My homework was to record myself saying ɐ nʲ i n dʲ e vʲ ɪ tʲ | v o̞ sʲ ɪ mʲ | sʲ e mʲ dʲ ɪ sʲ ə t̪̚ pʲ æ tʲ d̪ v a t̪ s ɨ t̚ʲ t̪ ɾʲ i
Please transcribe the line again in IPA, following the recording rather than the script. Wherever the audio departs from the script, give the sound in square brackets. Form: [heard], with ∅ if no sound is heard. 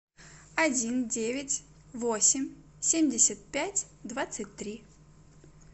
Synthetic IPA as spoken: ɐ [dʲ] i n dʲ e vʲ ɪ tʲ | v o̞ sʲ ɪ mʲ | sʲ e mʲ dʲ ɪ sʲ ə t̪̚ pʲ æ tʲ d̪ v a t̪ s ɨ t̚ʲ t̪ ɾʲ i